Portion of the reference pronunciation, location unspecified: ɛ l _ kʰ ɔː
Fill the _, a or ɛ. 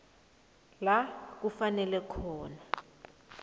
ɛ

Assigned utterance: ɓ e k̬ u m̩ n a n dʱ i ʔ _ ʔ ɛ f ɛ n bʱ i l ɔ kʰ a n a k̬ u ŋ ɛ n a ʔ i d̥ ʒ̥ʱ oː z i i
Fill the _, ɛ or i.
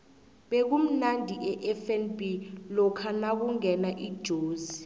ɛ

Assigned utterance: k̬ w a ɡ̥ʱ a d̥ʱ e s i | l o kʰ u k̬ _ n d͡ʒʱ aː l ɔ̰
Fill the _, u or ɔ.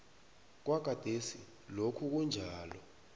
u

